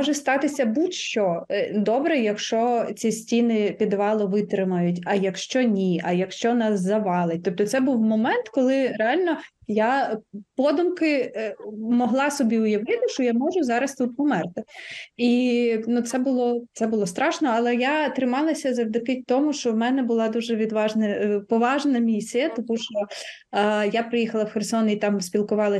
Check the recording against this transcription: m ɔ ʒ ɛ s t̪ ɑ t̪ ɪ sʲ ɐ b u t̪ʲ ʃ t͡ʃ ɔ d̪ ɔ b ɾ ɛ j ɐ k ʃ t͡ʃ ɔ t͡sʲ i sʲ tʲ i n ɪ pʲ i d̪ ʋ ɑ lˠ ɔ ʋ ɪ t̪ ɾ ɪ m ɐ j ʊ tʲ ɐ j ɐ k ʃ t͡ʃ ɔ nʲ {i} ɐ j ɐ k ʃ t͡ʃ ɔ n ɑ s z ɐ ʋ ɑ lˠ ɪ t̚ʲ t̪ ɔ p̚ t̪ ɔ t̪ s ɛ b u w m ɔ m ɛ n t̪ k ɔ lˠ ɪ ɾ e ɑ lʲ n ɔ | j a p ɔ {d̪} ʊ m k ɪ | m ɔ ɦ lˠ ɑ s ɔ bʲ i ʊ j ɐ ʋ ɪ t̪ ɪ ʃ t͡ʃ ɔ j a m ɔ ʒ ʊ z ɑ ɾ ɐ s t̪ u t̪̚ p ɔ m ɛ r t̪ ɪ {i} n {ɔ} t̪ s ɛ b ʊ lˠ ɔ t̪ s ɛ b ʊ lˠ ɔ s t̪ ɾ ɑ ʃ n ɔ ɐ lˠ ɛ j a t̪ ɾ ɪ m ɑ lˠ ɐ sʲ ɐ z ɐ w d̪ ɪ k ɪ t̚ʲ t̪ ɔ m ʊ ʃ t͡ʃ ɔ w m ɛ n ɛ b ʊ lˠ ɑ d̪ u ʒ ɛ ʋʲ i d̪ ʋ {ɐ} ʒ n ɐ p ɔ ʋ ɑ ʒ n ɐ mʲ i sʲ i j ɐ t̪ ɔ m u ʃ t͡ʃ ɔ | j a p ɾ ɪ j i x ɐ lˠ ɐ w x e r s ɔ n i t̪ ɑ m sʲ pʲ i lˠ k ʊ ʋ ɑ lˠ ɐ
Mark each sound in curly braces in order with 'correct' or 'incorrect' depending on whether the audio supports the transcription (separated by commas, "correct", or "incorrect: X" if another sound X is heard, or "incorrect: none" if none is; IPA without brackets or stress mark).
correct, correct, correct, incorrect: u, incorrect: ɑ